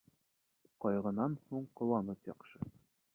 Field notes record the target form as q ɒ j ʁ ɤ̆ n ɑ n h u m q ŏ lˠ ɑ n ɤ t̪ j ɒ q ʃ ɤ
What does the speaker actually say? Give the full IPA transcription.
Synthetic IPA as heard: q ɒ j ʁ ɤ̆ n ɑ n h u ɴ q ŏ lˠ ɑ n ɤ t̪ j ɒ q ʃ ɤ